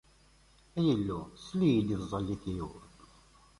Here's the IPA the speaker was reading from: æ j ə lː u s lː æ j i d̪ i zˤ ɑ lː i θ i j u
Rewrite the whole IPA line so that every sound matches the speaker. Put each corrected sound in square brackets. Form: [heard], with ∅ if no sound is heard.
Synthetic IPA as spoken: æ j ə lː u s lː [i] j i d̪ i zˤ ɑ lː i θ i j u